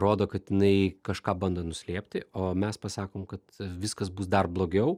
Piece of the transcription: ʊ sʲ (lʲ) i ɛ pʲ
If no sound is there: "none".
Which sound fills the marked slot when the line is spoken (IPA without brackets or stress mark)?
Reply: lʲ